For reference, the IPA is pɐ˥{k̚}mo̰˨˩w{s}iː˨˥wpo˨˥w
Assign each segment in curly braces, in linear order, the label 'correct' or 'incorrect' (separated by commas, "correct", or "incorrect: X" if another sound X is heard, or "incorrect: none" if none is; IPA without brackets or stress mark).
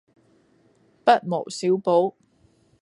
incorrect: t̚, correct